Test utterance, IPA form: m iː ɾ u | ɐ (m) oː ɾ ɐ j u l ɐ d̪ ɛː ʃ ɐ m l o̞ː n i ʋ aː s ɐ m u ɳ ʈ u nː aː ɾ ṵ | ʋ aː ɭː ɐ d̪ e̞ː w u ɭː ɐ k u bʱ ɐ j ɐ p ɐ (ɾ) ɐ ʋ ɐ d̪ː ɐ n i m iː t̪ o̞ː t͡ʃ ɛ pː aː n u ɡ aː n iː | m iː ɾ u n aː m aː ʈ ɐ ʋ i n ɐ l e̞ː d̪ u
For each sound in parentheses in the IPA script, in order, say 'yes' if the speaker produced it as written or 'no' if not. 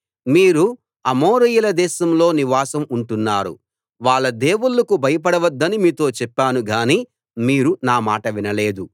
yes, no

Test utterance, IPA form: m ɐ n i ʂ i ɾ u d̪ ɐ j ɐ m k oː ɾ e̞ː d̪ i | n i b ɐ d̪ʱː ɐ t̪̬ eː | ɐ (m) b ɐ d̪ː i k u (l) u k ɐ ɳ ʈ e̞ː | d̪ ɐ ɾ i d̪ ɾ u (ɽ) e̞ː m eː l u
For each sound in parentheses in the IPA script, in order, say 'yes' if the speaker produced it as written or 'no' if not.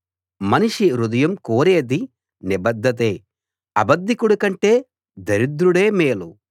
no, no, yes

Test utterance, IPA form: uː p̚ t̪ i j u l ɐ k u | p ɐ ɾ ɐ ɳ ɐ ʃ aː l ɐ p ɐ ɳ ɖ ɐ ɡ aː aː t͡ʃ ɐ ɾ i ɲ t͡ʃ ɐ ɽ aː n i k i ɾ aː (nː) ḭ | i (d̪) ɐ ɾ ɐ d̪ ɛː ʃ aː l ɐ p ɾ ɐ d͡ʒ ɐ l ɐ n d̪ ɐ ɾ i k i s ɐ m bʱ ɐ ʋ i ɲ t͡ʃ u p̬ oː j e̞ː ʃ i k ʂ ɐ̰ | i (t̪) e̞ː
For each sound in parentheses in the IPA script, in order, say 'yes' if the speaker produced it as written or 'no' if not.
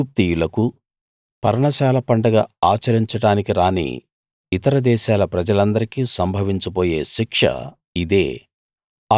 no, no, no

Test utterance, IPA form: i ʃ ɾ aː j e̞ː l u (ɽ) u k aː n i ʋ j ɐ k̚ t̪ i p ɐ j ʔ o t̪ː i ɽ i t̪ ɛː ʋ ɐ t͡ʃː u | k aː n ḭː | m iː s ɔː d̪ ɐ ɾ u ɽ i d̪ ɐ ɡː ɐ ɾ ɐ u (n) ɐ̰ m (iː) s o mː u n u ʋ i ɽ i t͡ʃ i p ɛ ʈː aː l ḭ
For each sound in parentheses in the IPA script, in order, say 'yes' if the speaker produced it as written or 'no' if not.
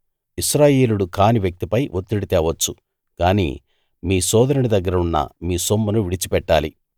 yes, no, yes

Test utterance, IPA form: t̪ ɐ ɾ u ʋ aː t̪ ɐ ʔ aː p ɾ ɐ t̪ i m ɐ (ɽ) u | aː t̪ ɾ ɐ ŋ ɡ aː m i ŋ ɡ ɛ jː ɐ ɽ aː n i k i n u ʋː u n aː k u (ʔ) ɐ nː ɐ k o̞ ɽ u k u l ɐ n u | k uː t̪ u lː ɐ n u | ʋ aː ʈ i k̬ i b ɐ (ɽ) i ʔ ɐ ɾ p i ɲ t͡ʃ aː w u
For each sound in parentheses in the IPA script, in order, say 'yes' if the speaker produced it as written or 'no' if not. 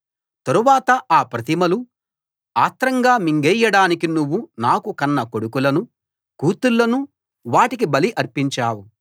no, no, no

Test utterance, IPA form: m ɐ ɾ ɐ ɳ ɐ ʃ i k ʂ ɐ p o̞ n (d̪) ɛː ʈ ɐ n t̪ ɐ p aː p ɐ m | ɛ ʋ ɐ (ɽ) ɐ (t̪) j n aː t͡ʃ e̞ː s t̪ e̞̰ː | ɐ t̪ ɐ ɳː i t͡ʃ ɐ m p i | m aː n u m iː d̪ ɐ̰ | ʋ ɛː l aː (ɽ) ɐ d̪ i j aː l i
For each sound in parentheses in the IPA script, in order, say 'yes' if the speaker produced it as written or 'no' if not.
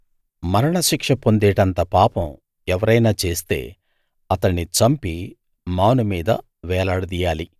yes, no, no, yes

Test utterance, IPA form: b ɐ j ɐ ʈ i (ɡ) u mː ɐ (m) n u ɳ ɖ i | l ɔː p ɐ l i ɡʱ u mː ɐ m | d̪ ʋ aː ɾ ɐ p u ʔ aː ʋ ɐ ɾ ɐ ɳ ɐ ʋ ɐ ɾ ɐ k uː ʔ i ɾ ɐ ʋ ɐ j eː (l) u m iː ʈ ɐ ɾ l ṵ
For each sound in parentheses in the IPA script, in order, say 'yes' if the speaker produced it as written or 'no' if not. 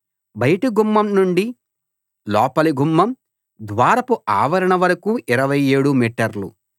yes, yes, no

